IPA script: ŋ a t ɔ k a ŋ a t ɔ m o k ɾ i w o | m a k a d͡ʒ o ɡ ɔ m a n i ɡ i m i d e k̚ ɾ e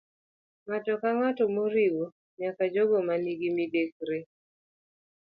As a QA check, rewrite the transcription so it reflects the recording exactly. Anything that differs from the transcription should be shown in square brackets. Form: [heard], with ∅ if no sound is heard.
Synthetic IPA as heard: ŋ a t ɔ k a ŋ a t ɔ m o [∅] ɾ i w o | [ɲ] a k a d͡ʒ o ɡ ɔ m a n i ɡ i m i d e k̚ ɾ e

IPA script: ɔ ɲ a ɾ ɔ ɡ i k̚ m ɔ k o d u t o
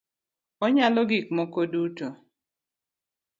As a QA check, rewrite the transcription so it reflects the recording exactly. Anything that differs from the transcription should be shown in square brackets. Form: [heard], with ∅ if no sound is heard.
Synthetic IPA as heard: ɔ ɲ a [l] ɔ ɡ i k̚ m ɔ k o d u t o

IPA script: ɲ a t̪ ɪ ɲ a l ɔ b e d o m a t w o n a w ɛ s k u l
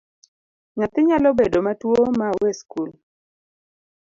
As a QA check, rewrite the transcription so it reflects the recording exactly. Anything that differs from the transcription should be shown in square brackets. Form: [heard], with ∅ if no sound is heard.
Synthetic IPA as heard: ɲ a t̪ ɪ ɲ a l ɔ b e d o m a t w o [m] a w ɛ s k u l

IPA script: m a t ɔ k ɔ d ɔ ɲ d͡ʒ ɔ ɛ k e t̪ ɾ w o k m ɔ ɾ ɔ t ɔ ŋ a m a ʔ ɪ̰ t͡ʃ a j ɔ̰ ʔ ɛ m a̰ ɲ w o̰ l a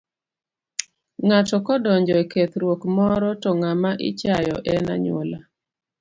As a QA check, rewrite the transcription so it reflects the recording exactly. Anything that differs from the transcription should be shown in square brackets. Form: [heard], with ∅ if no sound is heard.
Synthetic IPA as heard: [ŋ] a t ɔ k ɔ d ɔ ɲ d͡ʒ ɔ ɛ k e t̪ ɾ w o k m ɔ ɾ ɔ t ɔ ŋ a m a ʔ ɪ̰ t͡ʃ a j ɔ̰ ʔ ɛ [n] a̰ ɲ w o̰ l a

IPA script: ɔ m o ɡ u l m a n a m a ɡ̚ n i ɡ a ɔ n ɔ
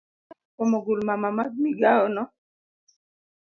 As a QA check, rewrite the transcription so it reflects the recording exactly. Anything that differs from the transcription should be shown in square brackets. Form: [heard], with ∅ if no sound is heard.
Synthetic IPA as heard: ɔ m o ɡ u l m a [m] a m a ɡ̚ [m] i ɡ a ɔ n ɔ

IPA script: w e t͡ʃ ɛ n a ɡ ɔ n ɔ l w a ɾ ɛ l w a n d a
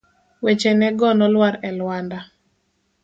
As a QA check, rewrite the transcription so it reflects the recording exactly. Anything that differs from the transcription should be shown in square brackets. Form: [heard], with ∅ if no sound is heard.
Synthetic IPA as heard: w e t͡ʃ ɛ n [ɛ] ɡ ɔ n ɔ l w a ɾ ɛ l w a n d a

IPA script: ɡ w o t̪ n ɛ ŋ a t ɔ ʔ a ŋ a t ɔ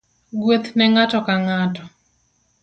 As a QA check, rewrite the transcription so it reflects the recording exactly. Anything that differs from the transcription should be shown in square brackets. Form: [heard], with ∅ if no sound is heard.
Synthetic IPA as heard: ɡ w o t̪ n ɛ ŋ a t ɔ [k] a ŋ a t ɔ

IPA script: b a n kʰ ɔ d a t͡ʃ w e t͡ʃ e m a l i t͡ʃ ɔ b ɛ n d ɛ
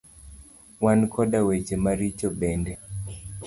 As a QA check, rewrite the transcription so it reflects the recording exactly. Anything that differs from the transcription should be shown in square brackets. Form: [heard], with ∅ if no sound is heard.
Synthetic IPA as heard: [w] a n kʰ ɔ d a [∅] w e t͡ʃ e m a [ɾ] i t͡ʃ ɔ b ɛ n d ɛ

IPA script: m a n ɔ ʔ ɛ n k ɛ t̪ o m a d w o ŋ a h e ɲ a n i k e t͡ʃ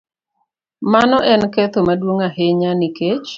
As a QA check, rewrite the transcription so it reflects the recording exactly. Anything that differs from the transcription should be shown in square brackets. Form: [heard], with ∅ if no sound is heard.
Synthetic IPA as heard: m a n ɔ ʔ ɛ n k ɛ t̪ o m a d w o ŋ a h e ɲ a n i k e t͡ʃ

